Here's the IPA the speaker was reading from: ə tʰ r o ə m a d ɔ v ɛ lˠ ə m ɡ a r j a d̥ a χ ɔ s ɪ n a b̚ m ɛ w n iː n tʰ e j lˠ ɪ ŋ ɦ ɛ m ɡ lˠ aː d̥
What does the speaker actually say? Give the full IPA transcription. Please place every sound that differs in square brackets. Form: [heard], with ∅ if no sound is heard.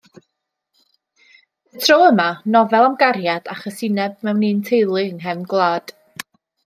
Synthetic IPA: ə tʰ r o ə m a [n] ɔ v ɛ lˠ [a] m ɡ a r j a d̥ a χ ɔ s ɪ n [ɛ] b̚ m ɛ w n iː n tʰ e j lˠ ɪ ŋ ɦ ɛ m ɡ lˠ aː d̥